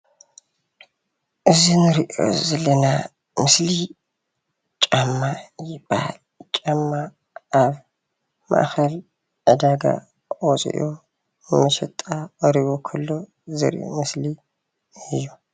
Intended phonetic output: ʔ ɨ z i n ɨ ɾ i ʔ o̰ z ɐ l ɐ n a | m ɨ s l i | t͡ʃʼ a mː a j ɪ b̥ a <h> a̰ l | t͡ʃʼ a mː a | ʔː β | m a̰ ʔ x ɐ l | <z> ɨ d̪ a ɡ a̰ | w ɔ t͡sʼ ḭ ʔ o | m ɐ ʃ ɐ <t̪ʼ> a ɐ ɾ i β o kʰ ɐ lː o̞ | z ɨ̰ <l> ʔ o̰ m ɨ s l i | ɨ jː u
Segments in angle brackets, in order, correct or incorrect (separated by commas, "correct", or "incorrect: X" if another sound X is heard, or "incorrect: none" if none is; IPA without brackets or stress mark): correct, incorrect: ʕ, correct, incorrect: ɾ